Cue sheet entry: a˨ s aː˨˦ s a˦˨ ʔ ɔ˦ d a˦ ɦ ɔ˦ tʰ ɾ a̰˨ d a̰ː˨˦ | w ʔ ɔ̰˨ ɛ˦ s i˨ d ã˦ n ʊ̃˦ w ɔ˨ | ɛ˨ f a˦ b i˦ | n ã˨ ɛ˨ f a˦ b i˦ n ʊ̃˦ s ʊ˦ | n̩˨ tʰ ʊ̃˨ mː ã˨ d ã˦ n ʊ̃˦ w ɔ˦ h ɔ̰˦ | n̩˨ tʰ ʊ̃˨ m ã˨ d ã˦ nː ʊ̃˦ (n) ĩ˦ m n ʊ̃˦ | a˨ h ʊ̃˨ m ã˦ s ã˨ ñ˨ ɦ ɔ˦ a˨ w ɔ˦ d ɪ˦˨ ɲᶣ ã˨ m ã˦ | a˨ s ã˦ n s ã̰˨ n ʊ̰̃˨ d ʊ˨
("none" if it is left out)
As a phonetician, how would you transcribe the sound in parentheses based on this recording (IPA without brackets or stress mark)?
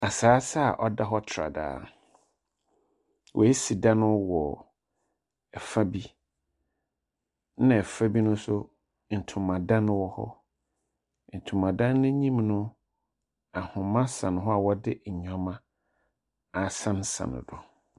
ɲ